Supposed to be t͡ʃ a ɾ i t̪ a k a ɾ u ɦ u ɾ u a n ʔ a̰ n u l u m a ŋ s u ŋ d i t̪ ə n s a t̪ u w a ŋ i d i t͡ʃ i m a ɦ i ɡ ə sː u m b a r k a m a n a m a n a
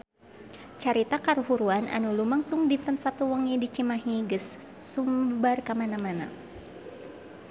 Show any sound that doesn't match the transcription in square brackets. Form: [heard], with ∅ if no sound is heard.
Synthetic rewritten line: t͡ʃ a ɾ i t̪ a k a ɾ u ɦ u ɾ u a n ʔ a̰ n u l u m a ŋ s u ŋ d i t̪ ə n s a t̪ u w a ŋ i d i t͡ʃ i m a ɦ i ɡ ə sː u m b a r k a m a n a m a n a